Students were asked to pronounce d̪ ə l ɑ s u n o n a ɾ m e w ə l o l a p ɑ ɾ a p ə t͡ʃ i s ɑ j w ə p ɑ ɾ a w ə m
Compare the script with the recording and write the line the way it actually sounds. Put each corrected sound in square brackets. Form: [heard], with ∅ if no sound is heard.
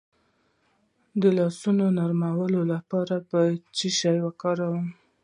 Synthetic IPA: d̪ ə l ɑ s u n o n a ɾ m [a] w ə l o l a p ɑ ɾ a p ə t͡ʃ i [ʃ] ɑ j w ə [k] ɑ ɾ a w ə m